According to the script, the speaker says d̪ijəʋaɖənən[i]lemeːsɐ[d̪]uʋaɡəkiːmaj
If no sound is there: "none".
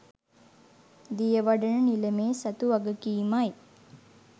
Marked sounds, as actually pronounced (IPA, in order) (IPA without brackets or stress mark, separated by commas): i, t̪